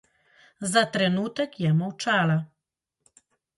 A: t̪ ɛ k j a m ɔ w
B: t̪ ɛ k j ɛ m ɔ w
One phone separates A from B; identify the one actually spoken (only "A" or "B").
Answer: B